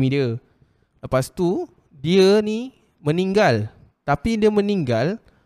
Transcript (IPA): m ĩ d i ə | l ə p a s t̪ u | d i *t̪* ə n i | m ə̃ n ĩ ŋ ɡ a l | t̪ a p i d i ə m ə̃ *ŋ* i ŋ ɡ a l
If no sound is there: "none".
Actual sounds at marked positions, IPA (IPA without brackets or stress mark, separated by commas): none, n